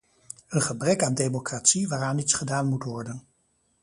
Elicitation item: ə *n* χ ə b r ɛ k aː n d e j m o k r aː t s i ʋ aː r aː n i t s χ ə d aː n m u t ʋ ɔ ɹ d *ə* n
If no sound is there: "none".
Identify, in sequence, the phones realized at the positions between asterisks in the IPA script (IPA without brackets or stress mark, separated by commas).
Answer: n, ə